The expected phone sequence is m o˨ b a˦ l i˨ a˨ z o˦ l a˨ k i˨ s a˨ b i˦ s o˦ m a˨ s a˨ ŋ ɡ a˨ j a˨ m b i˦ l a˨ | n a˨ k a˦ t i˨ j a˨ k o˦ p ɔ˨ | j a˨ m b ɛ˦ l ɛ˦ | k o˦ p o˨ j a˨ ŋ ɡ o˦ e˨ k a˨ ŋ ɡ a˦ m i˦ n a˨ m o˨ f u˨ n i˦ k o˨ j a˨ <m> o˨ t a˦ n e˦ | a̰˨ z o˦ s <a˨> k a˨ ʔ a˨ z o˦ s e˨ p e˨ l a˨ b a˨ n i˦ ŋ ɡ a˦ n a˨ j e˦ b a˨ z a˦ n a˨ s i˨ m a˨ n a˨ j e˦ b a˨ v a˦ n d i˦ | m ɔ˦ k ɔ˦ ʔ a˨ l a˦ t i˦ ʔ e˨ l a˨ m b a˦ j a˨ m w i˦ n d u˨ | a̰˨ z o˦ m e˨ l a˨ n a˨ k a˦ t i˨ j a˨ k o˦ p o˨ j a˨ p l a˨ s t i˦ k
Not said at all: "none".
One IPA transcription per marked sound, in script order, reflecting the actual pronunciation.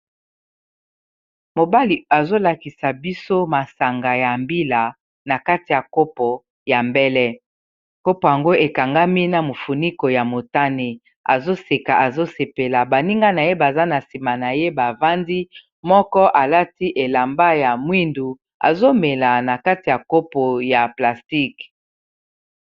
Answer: m, e˨

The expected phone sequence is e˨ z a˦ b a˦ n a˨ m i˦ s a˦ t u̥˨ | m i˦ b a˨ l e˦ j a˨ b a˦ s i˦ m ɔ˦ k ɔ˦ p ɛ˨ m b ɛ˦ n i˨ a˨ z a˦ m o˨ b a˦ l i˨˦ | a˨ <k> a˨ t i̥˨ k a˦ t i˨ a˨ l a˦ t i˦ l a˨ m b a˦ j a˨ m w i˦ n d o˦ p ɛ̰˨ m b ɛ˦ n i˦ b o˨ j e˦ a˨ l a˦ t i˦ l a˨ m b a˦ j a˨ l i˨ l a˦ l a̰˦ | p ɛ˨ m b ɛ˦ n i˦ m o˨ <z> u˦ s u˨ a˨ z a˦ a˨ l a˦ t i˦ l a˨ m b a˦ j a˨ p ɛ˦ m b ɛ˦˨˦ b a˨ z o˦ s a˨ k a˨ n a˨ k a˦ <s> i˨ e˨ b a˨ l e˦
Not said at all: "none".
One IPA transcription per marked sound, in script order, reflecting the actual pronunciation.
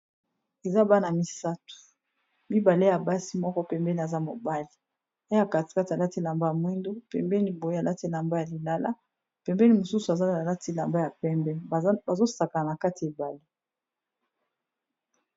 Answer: k, s, t

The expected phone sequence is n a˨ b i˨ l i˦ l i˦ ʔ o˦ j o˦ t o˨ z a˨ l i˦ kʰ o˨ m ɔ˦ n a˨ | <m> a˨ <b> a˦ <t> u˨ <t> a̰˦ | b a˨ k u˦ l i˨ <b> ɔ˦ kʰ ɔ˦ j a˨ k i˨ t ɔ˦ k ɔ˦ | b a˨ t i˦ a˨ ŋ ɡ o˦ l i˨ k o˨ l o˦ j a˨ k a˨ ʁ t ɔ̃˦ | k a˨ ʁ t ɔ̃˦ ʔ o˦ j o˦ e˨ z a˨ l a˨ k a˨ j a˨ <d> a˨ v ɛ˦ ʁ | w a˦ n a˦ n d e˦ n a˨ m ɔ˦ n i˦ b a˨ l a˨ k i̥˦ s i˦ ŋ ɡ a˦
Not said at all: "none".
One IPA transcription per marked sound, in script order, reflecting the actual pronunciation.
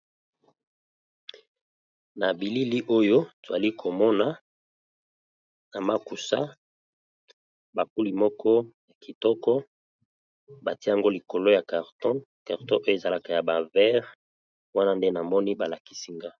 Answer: n, m, k, s, m, b

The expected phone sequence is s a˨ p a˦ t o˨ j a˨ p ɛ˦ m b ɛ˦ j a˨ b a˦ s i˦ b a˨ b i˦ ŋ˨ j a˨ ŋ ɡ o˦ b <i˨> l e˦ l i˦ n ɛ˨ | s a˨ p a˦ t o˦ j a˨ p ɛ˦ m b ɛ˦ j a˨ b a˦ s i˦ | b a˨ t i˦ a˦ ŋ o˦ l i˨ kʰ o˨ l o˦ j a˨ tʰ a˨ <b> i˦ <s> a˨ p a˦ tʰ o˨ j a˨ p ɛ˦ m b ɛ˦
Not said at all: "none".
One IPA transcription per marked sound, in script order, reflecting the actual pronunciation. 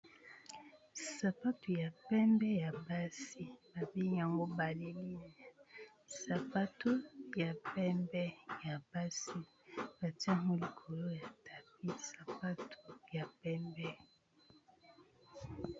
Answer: a˨, p, s

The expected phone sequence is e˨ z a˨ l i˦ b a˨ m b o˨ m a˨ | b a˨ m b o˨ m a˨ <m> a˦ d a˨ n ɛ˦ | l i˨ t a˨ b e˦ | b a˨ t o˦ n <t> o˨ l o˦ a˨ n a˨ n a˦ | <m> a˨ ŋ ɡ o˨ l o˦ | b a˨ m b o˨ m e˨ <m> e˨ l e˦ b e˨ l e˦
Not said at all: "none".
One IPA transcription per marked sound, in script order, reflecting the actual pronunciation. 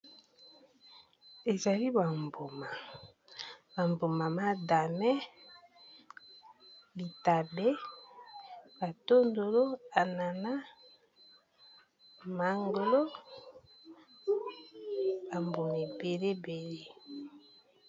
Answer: m, d, m, b

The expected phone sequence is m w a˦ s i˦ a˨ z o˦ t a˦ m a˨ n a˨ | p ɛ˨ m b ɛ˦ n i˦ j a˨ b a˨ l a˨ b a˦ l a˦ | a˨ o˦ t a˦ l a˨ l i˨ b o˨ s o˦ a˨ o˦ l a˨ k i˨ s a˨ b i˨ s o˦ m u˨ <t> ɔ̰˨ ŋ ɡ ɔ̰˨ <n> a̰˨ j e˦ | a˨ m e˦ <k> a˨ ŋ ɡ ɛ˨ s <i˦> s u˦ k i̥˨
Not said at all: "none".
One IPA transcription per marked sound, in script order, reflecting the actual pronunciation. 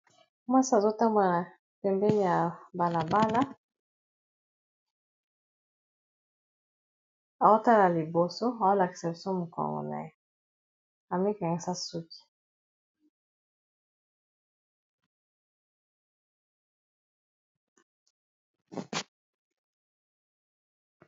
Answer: k, n, k, a˦

